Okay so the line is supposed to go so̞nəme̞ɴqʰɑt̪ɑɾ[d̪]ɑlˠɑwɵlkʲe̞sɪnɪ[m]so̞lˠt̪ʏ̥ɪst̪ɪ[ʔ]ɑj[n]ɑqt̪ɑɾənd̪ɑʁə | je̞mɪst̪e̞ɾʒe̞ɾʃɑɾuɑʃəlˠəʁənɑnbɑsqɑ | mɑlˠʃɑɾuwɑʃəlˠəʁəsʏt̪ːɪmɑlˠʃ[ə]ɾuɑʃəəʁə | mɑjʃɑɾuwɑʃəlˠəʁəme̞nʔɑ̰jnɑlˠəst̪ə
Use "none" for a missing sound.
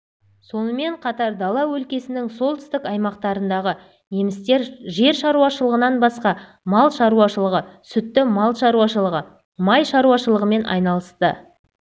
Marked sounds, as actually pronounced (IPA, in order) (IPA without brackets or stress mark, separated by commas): d̪, ŋ, k, m, ɑ